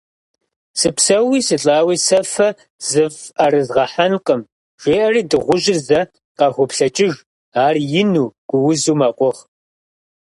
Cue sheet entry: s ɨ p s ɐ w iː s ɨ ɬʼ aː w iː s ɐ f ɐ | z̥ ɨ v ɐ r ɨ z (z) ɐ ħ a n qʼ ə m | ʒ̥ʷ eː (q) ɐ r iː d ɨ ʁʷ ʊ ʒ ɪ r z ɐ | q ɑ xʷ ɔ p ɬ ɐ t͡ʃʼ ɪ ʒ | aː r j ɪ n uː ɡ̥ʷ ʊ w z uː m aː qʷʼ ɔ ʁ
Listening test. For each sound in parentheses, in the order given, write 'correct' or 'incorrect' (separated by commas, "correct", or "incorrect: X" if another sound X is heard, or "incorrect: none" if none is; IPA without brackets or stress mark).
incorrect: ʁ, incorrect: ʔ